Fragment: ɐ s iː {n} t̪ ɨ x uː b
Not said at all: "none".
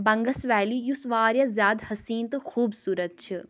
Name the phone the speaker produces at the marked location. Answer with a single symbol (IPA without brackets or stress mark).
n